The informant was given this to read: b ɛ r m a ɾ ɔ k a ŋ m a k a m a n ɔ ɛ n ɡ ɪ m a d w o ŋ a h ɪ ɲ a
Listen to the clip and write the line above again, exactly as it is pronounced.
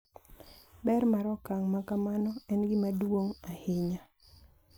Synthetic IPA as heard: b ɛ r m a ɾ ɔ k a ŋ m a k a m a n ɔ ɛ n ɡ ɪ m a d w o ŋ a h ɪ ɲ a